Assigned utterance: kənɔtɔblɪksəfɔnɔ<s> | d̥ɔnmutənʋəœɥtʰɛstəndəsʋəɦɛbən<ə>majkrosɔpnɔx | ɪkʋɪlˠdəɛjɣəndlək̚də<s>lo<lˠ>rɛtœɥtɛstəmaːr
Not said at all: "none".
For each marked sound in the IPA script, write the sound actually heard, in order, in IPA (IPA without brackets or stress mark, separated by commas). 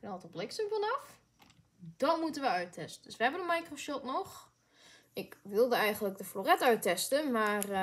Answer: f, ə, f, none